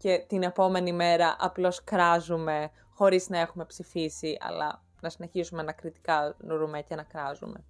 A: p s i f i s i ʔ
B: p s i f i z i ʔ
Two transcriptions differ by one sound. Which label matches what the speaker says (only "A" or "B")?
A